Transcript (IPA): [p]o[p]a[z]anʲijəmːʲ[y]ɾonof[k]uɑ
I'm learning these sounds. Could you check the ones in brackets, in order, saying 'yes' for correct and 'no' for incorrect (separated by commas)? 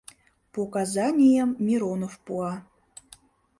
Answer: yes, no, yes, no, no